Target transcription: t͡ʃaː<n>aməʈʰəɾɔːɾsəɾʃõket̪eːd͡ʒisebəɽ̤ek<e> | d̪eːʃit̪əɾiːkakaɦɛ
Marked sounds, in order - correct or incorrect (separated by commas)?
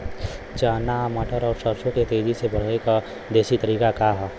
correct, incorrect